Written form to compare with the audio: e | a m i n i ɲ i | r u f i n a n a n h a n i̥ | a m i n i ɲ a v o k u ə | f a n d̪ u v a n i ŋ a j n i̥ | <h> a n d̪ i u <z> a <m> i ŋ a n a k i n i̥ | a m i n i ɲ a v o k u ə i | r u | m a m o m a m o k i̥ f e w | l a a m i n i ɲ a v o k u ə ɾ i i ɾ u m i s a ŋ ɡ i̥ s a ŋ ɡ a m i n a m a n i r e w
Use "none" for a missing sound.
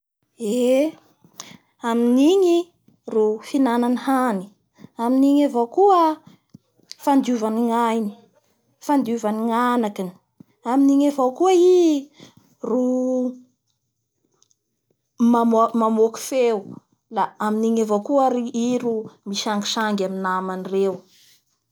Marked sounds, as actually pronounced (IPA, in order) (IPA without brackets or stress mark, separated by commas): f, v, n